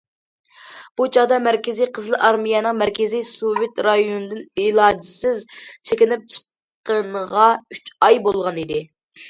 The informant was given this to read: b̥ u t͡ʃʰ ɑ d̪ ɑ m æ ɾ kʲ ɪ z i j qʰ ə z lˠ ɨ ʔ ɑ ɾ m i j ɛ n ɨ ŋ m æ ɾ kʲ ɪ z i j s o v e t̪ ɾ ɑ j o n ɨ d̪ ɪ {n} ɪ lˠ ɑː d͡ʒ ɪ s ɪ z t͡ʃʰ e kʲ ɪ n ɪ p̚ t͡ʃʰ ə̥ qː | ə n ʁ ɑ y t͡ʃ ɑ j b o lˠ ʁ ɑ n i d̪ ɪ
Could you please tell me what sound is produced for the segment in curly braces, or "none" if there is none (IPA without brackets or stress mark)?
n